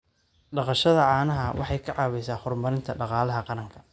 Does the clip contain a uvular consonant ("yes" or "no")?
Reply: yes